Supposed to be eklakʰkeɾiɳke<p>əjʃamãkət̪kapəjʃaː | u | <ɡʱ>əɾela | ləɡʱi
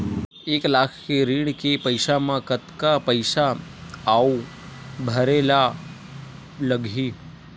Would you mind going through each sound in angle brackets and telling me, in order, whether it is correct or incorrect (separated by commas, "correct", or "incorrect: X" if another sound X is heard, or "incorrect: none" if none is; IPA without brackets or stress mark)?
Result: correct, incorrect: bʱ